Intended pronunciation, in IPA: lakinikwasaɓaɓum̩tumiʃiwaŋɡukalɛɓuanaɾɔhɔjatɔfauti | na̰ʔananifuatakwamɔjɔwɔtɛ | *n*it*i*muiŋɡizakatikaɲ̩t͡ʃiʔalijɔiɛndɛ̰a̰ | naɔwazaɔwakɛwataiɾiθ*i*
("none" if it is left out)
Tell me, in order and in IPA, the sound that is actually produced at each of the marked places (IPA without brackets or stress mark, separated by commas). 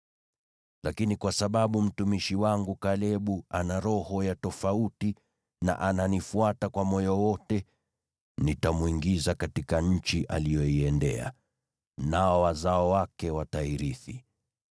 n, a, i